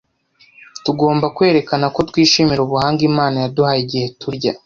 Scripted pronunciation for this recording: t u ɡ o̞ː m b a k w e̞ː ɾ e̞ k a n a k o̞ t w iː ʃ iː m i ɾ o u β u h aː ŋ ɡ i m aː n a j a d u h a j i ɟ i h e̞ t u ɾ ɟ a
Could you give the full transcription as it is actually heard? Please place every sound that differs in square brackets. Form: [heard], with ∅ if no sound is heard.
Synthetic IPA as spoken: t u ɡ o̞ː m b a k w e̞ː ɾ e̞ k a n a k o̞ t w iː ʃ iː m i ɾ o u β u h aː ŋ ɡ i m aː n a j a d u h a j i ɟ i h e̞ t u ɾ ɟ a